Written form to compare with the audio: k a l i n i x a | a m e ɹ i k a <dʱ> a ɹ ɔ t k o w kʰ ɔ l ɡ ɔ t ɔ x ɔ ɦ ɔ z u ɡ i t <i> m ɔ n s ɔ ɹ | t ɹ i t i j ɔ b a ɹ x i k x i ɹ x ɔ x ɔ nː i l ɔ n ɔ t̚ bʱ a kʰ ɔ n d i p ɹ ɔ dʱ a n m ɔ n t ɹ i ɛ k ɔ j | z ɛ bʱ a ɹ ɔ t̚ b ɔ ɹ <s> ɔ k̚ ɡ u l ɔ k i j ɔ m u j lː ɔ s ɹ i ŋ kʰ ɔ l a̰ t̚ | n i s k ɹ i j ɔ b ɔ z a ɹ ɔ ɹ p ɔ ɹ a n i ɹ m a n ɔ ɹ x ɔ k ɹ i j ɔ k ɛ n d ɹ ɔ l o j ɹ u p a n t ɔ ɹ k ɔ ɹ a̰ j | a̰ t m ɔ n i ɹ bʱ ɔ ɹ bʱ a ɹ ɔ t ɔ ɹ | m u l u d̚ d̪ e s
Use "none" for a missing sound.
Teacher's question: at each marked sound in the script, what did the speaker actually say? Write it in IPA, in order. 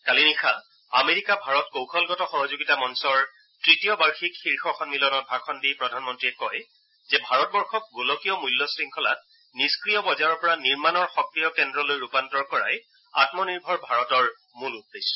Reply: bʱ, a, x

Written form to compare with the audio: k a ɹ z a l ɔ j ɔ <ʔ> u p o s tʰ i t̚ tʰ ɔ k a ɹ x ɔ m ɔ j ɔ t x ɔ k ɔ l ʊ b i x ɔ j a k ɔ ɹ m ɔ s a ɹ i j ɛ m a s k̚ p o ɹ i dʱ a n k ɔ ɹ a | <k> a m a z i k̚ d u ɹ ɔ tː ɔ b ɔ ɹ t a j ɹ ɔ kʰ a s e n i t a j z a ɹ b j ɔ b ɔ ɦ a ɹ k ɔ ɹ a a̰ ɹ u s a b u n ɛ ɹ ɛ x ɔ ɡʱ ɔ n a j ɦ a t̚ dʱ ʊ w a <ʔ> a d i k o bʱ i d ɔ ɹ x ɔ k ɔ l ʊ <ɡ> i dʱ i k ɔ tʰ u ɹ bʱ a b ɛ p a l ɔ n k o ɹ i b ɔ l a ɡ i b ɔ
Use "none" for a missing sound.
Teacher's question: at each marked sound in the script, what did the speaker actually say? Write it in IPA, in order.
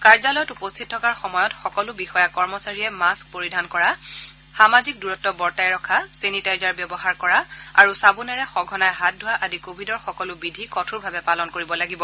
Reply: t, x, ʔ, b

